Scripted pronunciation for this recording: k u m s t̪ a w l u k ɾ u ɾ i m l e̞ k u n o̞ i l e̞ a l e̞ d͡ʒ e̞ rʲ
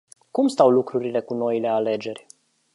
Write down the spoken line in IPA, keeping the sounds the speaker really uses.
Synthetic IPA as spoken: k u m s t̪ a w l u k ɾ u ɾ i l e̞ k u n o̞ i l e̞ a l e̞ d͡ʒ e̞ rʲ